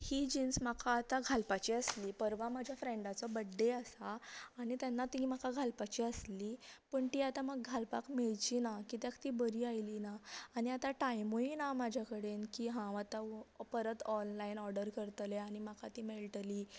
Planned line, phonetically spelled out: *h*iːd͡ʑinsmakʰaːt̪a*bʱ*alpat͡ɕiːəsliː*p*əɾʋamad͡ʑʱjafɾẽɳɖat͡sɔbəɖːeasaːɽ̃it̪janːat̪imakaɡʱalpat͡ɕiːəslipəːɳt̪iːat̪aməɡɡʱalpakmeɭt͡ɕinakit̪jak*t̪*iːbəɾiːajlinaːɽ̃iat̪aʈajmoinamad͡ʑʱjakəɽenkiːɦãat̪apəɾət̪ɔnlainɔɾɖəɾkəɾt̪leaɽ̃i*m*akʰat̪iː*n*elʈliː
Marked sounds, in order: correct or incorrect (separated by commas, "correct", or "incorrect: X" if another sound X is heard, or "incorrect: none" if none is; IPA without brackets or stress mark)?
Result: correct, incorrect: ɡʱ, correct, correct, correct, incorrect: m